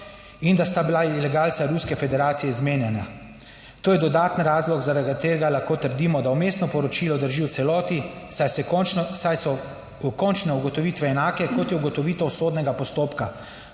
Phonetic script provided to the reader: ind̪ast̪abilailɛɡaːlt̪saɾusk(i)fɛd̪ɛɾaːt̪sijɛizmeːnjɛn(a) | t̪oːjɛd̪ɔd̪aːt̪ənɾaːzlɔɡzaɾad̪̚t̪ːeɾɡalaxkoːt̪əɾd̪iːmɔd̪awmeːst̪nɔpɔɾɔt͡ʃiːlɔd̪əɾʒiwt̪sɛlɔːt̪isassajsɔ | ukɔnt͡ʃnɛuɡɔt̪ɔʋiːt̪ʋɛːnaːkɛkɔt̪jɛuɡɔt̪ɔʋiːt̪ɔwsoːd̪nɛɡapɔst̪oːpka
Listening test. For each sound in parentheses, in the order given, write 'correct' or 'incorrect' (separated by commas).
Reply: incorrect, correct